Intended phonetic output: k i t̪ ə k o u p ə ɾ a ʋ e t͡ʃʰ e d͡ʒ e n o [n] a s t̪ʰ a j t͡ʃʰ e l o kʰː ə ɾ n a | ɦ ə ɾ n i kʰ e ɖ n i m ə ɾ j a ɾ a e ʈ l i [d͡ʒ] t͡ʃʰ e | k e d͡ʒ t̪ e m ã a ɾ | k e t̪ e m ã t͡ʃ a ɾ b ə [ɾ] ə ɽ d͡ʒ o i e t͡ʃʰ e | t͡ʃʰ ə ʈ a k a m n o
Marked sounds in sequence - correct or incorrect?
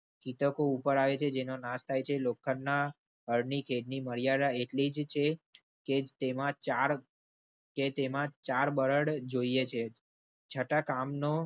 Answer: correct, correct, correct

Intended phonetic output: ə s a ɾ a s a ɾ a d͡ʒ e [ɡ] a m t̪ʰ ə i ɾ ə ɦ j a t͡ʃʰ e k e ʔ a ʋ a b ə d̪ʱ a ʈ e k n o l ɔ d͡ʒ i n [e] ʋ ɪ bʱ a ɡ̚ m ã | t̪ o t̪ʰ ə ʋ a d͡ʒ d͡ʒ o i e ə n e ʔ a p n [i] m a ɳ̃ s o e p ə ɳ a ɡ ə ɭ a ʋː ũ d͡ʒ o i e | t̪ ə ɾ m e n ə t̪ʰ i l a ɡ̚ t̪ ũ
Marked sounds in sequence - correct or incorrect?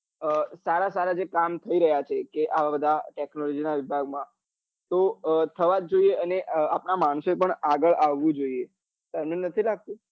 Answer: incorrect: k, incorrect: a, incorrect: a

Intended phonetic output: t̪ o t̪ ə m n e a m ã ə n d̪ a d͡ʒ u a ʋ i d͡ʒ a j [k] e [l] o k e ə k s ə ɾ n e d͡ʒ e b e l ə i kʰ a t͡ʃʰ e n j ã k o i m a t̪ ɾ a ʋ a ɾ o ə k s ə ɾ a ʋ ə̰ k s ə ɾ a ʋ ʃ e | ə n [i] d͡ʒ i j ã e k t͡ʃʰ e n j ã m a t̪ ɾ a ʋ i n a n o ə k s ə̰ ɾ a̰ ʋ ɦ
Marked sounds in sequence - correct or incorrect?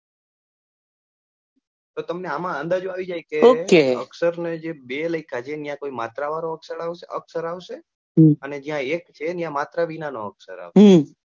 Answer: correct, incorrect: none, incorrect: e

